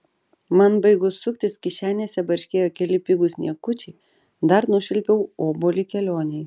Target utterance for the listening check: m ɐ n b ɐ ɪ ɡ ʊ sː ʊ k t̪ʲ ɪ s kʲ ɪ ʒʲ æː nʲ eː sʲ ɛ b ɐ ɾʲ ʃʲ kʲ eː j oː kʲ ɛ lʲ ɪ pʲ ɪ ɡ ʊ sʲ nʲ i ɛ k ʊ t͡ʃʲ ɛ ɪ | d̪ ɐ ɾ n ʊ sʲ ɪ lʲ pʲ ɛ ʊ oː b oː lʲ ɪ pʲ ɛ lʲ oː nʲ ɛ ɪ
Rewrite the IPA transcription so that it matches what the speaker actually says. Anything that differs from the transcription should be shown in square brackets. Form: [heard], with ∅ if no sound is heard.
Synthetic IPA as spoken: m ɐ n b ɐ ɪ ɡ ʊ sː ʊ k t̪ʲ ɪ s kʲ ɪ [ʃʲ] æː nʲ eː sʲ ɛ b ɐ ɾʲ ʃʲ kʲ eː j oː kʲ ɛ lʲ ɪ pʲ ɪ ɡ ʊ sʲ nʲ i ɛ k ʊ t͡ʃʲ ɛ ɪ | d̪ ɐ ɾ n ʊ [ʃʲ] ɪ lʲ pʲ ɛ ʊ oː b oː lʲ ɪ [kʲ] ɛ lʲ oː nʲ ɛ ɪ